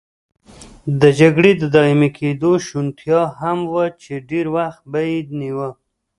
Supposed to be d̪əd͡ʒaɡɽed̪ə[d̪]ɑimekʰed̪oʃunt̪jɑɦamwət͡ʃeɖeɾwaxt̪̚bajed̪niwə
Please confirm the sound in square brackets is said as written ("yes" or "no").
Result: yes